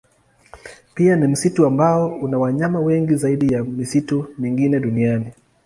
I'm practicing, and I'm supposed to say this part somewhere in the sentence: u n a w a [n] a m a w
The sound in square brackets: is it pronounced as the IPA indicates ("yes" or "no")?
no